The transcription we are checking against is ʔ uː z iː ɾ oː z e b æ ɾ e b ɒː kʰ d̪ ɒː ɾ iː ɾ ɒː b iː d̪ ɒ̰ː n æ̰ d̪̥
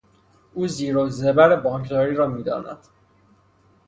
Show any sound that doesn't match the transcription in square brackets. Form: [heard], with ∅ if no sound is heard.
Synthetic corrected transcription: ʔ uː z iː ɾ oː z e b æ ɾ e b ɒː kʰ d̪ ɒː ɾ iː ɾ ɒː [m] iː d̪ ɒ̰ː n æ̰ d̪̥